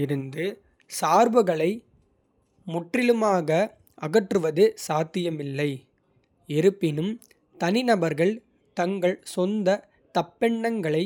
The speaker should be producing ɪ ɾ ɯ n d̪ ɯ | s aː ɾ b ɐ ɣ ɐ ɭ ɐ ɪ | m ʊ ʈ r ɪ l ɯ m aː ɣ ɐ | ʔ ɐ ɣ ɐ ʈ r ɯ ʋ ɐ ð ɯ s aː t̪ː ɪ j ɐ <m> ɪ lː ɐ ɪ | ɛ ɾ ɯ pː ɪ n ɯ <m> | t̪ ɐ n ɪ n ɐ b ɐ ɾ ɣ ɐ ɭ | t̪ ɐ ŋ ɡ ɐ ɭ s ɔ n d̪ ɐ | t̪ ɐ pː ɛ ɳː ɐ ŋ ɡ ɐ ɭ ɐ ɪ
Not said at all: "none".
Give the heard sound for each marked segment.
m, m

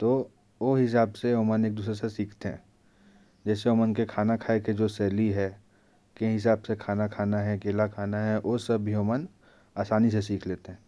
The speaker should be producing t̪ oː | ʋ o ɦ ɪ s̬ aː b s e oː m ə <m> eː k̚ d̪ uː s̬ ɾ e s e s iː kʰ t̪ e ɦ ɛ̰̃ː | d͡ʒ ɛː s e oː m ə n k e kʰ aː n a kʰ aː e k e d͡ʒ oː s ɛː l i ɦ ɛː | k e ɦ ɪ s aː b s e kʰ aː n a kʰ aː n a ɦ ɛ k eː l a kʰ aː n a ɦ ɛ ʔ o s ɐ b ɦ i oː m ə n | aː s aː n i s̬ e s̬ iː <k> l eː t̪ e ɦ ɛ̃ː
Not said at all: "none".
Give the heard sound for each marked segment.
n, kʰ

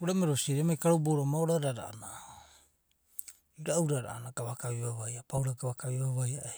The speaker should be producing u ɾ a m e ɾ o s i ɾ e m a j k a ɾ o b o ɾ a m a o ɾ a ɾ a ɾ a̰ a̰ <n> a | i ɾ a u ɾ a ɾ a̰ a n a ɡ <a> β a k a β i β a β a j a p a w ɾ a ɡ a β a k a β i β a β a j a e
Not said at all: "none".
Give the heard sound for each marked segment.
n, a

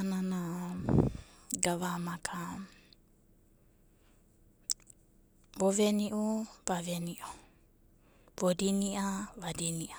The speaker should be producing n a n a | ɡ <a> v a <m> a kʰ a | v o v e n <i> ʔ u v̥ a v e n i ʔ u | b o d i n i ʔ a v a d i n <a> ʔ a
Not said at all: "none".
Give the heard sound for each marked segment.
a, m, i, i

